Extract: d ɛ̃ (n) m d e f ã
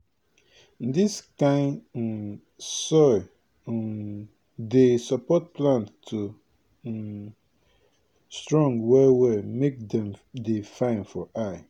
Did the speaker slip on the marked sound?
yes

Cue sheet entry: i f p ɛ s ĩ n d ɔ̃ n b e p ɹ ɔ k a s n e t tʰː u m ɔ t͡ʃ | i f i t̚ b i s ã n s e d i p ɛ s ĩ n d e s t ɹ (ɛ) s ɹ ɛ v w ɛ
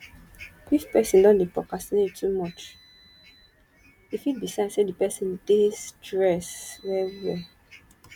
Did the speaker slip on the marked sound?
no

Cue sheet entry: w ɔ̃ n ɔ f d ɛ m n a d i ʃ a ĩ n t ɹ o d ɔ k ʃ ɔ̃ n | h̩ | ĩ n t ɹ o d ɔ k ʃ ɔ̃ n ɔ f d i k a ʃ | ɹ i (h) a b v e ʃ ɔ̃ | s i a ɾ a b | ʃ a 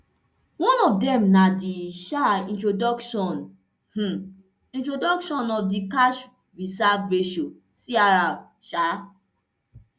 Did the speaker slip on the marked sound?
yes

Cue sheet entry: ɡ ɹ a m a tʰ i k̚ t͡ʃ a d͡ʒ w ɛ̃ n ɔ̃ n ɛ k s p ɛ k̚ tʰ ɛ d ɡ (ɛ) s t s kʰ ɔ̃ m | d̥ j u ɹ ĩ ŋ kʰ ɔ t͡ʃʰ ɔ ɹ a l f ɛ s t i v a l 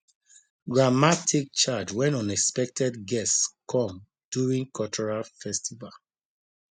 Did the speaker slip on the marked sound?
no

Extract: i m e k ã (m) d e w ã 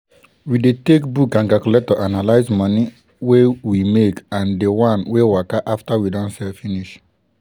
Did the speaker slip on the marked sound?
yes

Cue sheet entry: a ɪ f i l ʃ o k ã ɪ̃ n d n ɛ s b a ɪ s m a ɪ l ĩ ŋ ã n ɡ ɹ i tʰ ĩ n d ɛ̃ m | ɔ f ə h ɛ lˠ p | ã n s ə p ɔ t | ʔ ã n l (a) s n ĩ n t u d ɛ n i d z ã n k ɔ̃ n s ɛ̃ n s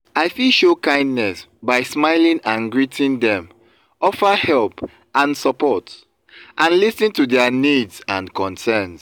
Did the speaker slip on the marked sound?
yes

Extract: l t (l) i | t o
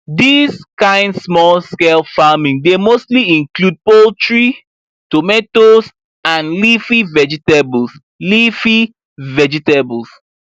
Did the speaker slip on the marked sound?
yes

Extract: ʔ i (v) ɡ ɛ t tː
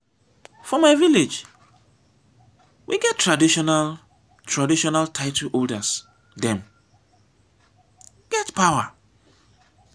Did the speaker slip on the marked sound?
yes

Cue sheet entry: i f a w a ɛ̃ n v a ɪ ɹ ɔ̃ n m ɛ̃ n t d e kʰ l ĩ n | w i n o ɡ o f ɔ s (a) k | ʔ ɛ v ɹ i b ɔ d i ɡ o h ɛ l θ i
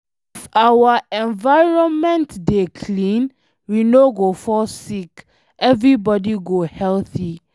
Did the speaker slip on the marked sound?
yes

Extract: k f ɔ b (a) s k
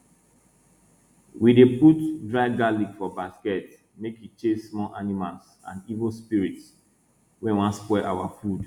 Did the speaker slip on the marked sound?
no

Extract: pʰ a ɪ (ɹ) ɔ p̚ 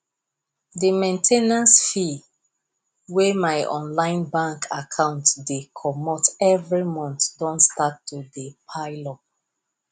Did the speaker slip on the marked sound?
yes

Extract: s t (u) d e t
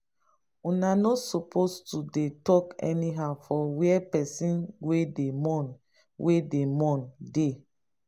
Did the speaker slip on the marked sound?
no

